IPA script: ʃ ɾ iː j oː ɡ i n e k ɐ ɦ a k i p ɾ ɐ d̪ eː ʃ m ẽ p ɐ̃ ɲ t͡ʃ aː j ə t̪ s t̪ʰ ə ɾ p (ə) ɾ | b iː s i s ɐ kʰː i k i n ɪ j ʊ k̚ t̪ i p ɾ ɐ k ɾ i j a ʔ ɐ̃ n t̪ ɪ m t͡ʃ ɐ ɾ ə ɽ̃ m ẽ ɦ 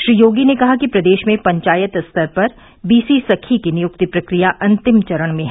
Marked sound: incorrect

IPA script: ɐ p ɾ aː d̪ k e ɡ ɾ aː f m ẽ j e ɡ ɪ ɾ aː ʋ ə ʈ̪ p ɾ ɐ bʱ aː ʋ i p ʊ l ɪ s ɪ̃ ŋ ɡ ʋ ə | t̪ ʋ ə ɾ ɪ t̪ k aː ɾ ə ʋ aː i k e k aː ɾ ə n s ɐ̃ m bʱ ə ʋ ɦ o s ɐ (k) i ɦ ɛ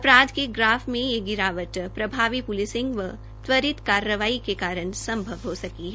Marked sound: correct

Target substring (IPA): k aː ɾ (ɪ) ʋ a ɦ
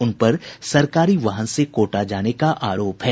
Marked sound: incorrect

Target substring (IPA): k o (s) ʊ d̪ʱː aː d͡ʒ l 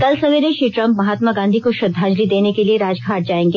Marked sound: incorrect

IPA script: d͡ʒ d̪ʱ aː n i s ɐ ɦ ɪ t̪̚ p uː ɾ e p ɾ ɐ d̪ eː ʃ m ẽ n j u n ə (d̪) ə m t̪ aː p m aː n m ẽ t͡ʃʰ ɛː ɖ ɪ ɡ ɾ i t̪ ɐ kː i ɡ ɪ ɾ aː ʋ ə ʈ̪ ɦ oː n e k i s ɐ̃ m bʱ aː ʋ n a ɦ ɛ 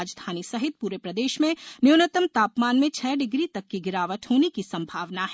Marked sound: incorrect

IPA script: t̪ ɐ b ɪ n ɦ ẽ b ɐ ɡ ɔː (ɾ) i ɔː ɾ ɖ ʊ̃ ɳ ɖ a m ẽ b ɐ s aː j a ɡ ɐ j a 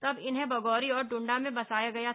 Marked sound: correct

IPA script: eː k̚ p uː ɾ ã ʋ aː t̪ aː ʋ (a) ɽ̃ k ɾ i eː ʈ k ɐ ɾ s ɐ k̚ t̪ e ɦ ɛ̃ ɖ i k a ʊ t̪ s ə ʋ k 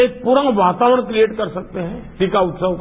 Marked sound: incorrect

